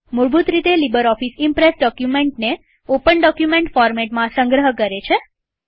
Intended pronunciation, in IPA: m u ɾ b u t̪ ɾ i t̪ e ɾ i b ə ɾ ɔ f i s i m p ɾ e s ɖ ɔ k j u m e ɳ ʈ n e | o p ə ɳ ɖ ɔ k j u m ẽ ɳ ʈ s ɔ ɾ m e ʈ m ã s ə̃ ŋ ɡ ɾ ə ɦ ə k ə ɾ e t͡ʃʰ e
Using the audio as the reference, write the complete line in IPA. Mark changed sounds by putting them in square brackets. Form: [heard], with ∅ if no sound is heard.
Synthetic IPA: m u ɾ b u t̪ ɾ i t̪ e [l] i b ə ɾ ɔ f i s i m p ɾ e s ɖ ɔ k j u m e ɳ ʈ n e | o p ə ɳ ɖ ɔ k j u m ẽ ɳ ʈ [f] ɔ ɾ m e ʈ m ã s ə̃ ŋ ɡ ɾ ə ɦ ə k ə ɾ e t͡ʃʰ e